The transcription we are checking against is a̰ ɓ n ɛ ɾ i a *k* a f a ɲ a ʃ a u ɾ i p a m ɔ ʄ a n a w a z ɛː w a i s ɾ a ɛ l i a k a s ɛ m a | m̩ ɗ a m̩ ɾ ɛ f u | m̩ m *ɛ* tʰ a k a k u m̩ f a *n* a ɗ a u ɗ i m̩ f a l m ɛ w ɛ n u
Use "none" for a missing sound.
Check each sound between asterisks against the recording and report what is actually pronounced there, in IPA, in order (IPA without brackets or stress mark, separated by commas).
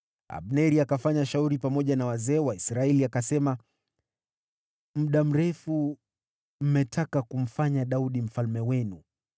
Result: k, ɛ, ɲ